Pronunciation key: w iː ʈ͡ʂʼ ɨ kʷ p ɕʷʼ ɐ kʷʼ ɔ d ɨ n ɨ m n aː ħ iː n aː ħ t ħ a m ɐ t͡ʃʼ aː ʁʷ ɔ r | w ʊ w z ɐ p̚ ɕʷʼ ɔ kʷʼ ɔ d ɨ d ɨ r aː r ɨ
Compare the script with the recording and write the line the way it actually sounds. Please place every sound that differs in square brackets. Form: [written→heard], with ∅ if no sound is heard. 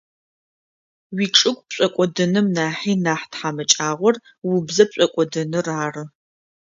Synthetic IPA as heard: w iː ʈ͡ʂʼ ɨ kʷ p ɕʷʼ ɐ kʷʼ ɔ d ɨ n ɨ m n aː ħ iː n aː ħ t ħ a m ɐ t͡ʃʼ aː ʁʷ ɔ r | w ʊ [w→b] z ɐ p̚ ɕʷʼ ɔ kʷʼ ɔ d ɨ [d→n] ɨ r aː r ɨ